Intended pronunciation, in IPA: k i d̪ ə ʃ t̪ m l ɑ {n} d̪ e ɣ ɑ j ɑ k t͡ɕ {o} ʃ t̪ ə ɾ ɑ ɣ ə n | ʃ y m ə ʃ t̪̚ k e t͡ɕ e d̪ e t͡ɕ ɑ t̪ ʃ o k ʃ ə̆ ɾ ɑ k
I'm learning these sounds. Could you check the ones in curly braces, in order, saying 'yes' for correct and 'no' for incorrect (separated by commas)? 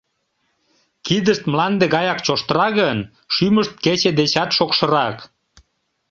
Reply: yes, yes